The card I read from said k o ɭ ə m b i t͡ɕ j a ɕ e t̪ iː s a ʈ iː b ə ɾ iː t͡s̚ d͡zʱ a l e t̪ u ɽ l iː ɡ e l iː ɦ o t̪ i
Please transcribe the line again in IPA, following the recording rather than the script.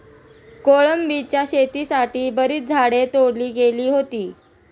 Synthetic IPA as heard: k o ɭ ə m b i t͡ɕ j a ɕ e t̪ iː s a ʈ iː b ə ɾ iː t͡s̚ d͡zʱ a ɽ e t̪ o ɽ l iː ɡ e l iː ɦ o t̪ iː